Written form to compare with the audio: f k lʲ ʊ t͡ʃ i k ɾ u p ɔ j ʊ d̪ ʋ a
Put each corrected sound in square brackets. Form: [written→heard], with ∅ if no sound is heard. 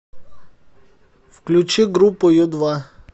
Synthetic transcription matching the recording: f k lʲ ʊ t͡ʃ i [k→ɡ] ɾ u p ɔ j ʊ d̪ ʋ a